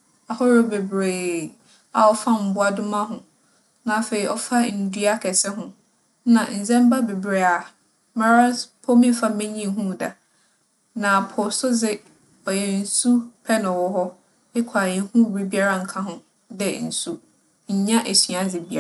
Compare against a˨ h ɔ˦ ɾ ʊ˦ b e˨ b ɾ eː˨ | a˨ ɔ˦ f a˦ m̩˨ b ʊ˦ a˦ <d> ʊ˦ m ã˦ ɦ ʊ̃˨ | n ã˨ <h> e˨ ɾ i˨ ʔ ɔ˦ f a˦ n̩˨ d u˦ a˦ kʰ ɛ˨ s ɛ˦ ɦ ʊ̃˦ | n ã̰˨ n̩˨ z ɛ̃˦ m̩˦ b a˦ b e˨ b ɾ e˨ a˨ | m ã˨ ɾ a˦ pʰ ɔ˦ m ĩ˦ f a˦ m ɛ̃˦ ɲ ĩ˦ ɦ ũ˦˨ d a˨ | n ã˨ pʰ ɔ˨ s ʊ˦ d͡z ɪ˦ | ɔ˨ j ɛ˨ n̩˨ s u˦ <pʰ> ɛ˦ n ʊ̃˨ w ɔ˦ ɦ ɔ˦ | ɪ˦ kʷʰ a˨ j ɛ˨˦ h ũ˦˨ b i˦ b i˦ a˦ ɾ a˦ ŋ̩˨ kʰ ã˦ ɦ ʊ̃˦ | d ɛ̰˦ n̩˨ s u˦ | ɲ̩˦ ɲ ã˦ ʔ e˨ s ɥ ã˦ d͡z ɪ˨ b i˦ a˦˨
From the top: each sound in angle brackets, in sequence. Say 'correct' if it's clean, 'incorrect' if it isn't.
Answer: correct, incorrect: f, correct

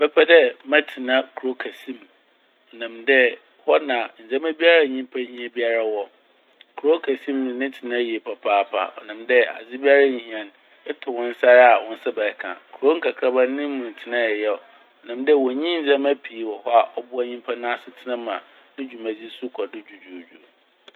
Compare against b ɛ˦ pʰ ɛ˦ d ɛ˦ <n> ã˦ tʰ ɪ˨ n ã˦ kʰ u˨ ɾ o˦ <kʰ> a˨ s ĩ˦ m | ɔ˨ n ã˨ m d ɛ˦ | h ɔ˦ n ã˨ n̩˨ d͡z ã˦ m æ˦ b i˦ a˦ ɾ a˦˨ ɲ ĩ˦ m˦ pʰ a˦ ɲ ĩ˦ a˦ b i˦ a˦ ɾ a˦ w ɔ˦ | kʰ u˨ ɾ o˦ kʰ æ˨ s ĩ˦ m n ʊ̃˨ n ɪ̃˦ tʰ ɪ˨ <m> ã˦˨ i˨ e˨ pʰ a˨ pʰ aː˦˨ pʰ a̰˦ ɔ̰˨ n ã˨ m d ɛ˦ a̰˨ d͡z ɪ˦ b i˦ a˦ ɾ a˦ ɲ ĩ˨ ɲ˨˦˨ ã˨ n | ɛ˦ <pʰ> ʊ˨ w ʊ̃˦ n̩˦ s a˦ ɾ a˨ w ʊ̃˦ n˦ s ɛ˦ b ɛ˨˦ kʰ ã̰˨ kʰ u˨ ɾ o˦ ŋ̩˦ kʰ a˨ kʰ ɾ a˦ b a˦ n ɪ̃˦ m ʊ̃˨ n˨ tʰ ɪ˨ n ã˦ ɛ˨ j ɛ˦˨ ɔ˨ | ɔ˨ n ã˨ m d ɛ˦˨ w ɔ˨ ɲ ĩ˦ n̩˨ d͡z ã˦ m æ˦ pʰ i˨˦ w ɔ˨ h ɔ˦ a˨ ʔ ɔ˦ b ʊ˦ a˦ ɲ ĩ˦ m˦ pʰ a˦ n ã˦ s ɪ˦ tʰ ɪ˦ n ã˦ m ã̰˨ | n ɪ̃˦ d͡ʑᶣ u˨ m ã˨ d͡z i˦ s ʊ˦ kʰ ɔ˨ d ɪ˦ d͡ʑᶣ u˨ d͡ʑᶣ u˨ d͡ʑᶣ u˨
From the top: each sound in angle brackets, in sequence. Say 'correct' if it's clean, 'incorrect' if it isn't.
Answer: incorrect: m, correct, incorrect: n, incorrect: tʰ

